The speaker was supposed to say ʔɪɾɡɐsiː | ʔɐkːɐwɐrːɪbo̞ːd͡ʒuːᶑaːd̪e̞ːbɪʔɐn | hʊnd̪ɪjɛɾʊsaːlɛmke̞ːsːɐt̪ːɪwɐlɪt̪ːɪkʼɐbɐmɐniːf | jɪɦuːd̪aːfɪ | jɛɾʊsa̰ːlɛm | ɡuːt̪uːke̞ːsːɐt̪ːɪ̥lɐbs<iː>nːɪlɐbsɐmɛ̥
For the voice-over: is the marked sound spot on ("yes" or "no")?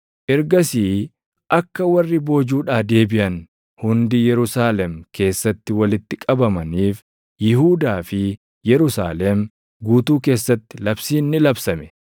yes